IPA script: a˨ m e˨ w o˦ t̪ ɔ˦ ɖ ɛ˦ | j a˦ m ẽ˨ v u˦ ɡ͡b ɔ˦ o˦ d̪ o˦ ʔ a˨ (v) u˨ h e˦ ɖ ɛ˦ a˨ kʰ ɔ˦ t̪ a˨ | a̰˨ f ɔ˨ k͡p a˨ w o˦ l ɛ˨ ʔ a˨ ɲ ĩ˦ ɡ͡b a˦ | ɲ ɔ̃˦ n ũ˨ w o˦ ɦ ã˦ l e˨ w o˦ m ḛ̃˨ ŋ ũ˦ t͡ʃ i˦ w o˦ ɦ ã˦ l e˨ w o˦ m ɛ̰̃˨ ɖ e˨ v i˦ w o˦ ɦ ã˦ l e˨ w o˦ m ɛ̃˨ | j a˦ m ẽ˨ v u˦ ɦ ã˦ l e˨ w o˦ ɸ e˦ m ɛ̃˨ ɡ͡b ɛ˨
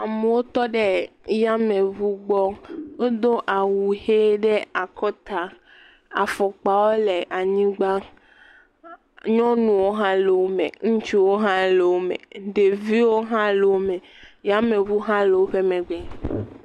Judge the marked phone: incorrect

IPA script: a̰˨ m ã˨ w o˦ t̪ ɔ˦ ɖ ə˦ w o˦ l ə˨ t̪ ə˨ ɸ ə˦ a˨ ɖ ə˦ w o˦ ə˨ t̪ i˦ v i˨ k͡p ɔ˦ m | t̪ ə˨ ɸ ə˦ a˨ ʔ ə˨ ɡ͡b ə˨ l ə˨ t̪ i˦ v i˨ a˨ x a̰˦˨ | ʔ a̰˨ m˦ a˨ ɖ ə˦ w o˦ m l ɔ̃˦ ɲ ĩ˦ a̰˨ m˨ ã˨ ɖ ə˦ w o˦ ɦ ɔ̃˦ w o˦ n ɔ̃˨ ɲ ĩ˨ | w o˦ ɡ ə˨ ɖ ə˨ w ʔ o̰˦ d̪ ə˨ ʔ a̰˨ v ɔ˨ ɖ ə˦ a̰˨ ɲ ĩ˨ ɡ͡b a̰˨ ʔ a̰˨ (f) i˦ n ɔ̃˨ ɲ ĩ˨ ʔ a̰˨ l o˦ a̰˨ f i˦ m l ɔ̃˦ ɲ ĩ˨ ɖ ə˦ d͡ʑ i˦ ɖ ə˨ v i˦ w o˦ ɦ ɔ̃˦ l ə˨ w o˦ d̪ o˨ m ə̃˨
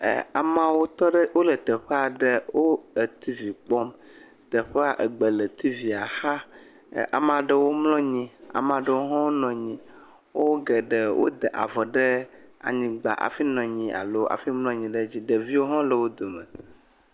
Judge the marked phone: correct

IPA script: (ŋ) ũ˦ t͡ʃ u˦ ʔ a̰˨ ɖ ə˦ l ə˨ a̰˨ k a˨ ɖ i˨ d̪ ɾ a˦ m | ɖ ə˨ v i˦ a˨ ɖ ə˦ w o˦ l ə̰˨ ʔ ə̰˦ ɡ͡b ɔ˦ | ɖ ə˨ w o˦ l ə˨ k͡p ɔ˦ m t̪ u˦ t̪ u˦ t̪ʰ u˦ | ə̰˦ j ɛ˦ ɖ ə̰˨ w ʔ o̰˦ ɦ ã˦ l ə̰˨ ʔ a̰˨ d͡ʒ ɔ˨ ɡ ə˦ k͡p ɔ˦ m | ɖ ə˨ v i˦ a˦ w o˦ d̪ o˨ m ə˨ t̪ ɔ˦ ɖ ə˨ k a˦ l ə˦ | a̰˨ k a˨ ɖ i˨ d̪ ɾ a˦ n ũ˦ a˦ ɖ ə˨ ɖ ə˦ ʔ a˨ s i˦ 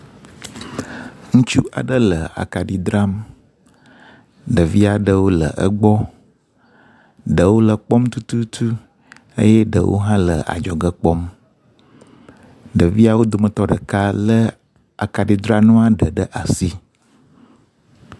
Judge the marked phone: correct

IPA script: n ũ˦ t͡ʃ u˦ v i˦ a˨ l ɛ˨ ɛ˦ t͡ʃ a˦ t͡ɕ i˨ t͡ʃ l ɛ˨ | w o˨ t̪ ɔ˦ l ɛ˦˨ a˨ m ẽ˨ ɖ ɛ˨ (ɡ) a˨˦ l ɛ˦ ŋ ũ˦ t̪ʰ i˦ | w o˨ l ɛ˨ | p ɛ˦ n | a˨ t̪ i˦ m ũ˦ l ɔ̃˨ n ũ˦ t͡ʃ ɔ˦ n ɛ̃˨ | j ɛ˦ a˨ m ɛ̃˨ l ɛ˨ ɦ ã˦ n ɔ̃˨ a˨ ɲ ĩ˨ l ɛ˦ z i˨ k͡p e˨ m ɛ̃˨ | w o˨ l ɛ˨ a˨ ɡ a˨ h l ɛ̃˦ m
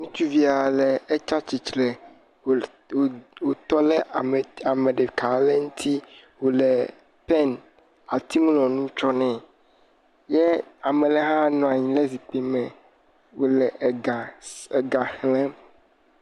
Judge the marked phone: incorrect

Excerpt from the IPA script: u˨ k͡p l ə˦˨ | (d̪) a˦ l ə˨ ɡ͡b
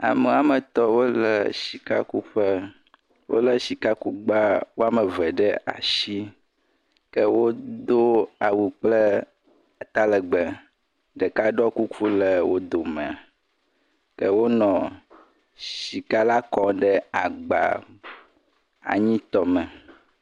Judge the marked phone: incorrect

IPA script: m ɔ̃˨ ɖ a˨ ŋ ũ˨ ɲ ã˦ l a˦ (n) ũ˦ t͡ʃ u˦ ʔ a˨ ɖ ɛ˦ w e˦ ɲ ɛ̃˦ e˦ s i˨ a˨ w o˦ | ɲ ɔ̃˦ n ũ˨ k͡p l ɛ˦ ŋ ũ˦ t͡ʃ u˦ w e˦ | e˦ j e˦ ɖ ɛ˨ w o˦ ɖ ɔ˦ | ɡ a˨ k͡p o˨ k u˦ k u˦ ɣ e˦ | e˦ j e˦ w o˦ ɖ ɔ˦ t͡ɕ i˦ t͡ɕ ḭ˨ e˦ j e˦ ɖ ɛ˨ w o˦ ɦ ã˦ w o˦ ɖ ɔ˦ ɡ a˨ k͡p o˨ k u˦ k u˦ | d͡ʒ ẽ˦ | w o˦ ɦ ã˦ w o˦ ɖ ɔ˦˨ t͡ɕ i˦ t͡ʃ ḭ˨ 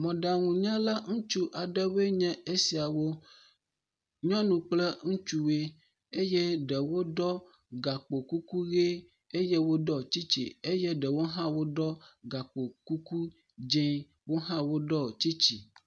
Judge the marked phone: incorrect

